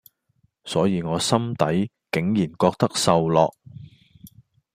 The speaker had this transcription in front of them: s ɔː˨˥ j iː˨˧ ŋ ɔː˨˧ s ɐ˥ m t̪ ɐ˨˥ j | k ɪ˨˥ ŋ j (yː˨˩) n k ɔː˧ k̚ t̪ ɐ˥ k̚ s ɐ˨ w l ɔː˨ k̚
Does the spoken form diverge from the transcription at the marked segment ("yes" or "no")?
yes